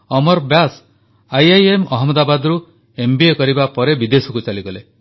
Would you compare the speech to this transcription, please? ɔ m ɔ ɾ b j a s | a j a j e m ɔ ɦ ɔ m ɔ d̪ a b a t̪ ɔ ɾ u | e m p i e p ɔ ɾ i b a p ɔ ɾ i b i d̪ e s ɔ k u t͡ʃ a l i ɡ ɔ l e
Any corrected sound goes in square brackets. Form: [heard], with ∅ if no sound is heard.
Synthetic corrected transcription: ɔ m ɔ ɾ b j a s | a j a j e m ɔ ɦ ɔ m ɔ d̪ a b a [d̪] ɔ ɾ u | e m [b] i e [k] ɔ ɾ i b a p ɔ ɾ [e] b i d̪ e s ɔ k u t͡ʃ a l i ɡ ɔ l e